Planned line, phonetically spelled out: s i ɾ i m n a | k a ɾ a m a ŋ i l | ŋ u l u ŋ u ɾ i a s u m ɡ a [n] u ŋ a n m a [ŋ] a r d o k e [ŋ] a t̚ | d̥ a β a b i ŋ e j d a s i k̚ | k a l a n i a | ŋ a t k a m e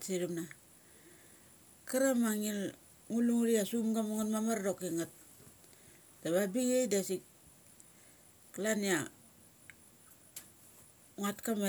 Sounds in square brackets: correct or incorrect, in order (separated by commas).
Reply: incorrect, incorrect, correct